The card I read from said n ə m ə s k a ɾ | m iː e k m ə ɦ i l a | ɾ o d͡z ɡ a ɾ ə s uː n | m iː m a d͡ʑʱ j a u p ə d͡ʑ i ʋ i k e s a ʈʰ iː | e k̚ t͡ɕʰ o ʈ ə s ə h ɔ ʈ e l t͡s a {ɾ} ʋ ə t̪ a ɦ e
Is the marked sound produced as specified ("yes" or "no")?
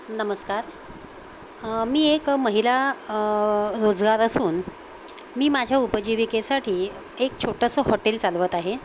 no